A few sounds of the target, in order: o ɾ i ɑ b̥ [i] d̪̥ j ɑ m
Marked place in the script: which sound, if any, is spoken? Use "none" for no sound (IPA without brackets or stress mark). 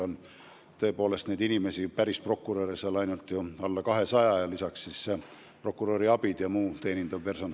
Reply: i